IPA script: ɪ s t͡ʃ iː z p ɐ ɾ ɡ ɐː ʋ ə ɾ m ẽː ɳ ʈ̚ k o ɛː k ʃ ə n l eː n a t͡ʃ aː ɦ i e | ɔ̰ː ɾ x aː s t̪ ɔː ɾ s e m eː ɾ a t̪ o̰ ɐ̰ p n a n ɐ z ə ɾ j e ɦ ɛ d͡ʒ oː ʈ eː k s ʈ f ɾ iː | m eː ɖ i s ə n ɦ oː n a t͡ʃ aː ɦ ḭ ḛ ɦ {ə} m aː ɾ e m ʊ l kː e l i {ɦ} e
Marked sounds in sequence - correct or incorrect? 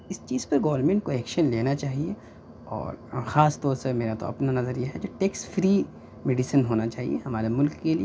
incorrect: ɐ, incorrect: none

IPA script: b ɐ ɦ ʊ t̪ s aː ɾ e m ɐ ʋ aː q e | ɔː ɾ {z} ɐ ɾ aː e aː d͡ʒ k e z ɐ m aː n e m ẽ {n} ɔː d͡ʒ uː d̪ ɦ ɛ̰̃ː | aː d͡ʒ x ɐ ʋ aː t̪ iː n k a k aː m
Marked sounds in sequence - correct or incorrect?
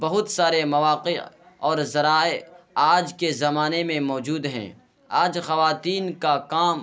correct, incorrect: m

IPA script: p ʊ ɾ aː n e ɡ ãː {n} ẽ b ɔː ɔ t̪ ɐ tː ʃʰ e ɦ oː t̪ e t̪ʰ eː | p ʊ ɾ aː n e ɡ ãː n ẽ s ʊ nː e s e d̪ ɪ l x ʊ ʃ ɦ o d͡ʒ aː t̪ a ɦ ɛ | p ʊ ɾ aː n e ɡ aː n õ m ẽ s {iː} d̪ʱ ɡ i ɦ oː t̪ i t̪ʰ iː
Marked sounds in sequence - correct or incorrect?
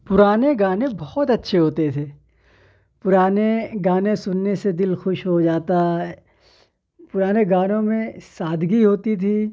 correct, incorrect: aː

